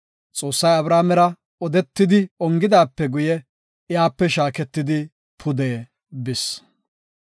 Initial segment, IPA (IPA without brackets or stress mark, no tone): t͡sʼ